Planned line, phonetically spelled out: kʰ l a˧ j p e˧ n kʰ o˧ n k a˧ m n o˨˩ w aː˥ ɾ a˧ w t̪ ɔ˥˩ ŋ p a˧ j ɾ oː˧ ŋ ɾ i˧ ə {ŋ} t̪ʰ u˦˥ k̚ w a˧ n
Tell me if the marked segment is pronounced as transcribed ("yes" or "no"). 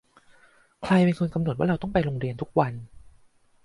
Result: no